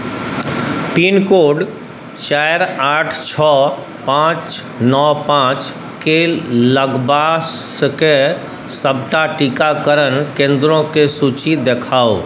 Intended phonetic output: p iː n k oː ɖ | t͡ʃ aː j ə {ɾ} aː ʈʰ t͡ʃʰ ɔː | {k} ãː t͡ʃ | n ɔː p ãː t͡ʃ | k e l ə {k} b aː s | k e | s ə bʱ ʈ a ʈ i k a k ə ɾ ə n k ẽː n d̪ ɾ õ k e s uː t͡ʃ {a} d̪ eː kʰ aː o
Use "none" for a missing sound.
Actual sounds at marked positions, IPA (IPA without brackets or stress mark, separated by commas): ɾ, p, ɡ, i